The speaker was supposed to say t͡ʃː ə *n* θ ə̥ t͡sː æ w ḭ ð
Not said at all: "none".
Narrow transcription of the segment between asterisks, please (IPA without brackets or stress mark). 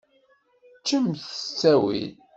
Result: m